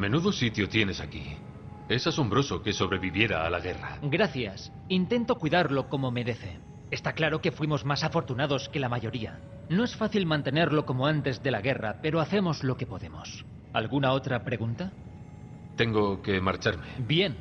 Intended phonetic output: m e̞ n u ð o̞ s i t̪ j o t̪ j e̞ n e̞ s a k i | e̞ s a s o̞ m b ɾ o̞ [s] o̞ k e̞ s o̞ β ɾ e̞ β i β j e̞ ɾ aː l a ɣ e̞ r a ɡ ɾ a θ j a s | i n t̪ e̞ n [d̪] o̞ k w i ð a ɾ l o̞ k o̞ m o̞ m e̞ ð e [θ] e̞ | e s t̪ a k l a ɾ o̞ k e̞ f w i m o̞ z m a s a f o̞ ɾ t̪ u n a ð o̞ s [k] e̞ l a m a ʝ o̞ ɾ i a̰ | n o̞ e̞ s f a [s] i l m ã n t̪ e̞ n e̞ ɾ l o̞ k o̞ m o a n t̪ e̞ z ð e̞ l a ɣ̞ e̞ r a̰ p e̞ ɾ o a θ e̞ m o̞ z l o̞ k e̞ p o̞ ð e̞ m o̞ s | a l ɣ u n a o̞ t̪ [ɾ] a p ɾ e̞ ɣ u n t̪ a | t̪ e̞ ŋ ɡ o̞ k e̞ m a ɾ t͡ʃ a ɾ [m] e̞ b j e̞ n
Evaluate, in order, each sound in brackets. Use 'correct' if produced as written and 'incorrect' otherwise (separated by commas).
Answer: correct, incorrect, correct, correct, incorrect, correct, correct